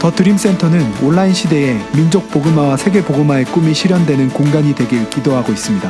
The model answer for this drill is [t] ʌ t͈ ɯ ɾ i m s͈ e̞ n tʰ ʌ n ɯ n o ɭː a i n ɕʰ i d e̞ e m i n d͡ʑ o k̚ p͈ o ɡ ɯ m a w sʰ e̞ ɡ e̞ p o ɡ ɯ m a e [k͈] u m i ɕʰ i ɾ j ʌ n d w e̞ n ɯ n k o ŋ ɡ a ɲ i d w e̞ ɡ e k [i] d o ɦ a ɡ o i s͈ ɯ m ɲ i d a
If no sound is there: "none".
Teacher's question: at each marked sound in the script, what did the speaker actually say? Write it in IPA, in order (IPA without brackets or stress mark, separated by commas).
t, k͈, i